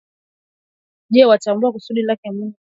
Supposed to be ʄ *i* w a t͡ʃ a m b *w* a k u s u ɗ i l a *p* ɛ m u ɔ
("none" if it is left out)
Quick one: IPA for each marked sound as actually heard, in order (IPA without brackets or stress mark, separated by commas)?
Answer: ɛ, u, k